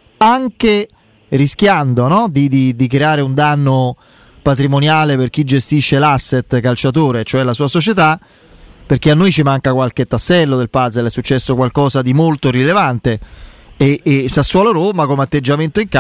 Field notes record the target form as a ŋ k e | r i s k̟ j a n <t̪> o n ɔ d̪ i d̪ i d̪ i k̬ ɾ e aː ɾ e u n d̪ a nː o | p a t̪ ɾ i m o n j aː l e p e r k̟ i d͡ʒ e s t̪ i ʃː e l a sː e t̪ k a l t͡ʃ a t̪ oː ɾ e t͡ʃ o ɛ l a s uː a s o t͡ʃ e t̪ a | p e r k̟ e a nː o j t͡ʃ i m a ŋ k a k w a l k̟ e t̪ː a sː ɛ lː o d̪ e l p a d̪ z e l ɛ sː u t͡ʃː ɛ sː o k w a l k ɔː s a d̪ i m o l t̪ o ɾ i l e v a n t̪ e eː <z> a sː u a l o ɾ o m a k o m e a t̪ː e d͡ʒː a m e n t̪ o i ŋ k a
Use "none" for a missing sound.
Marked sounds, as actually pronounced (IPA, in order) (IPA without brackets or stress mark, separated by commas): d̪, s